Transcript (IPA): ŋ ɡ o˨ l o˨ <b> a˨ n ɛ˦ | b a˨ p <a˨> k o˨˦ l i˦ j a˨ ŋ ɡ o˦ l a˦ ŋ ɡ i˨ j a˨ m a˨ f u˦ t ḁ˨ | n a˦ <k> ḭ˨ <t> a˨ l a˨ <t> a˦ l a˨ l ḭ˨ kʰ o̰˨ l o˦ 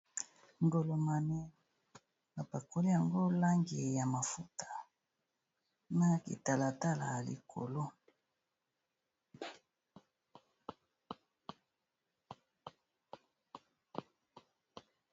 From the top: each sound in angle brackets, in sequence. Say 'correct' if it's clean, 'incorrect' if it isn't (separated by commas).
incorrect, correct, correct, correct, correct